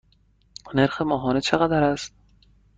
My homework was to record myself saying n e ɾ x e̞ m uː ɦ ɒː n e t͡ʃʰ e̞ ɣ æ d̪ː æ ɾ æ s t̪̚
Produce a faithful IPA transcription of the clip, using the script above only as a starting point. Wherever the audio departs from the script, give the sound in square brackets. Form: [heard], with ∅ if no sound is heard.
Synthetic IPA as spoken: n e ɾ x e̞ m [ɒː] ɦ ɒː n e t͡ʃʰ e̞ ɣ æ [d̪] æ ɾ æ s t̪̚